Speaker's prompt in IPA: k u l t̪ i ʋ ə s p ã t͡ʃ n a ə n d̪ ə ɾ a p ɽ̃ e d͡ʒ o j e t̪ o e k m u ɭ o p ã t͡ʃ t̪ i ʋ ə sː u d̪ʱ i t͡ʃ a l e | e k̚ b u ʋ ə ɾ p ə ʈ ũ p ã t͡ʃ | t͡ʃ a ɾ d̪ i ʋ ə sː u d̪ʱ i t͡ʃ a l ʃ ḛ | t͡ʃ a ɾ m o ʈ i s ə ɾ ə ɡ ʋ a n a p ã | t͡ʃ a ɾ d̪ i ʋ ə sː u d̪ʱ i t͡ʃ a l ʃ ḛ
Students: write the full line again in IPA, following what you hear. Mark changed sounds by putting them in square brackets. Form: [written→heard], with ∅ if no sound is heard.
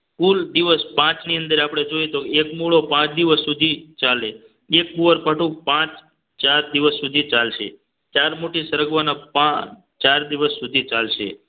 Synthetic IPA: k u l [t̪→d̪] i ʋ ə s p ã t͡ʃ n [a→i] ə n d̪ ə ɾ a p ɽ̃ e d͡ʒ o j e t̪ o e k m u ɭ o p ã t͡ʃ [t̪→d̪] i ʋ ə sː u d̪ʱ i t͡ʃ a l e | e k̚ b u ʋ ə ɾ p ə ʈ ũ p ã t͡ʃ | t͡ʃ a ɾ d̪ i ʋ ə sː u d̪ʱ i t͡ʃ a l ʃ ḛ | t͡ʃ a ɾ m o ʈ i s ə ɾ ə ɡ ʋ a n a p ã | t͡ʃ a ɾ d̪ i ʋ ə sː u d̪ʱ i t͡ʃ a l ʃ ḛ

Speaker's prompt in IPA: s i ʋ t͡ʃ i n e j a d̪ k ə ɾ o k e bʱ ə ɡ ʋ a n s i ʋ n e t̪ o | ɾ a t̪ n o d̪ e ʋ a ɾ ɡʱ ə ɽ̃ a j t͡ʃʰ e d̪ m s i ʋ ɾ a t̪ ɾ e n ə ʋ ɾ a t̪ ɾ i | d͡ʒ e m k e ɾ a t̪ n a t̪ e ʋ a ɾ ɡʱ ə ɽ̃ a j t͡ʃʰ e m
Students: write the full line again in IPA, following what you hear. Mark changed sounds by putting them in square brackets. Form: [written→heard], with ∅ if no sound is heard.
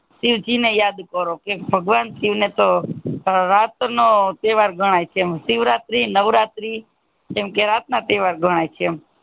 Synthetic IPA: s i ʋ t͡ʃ i n e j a d̪ k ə ɾ o k e bʱ ə ɡ ʋ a n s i ʋ n e t̪ o | ɾ a t̪ n o [d̪→t̪] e ʋ a ɾ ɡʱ ə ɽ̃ a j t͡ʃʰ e [d̪→∅] m s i ʋ ɾ a t̪ ɾ [e→i] n ə ʋ ɾ a t̪ ɾ i | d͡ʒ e m k e ɾ a t̪ n a t̪ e ʋ a ɾ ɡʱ ə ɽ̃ a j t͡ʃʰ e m

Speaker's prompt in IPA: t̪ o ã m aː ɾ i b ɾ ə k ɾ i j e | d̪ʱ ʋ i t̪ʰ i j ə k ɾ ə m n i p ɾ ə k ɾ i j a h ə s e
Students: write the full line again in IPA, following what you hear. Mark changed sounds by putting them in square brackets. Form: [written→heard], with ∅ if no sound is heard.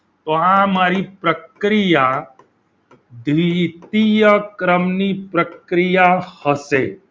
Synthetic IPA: t̪ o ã m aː ɾ i [b→p] ɾ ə k ɾ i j [e→a] | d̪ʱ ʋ i [t̪ʰ→t̪] i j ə k ɾ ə m n i p ɾ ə k ɾ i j a h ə s e

